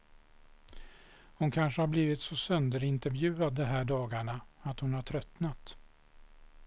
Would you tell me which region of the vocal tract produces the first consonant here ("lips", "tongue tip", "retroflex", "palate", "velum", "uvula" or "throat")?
throat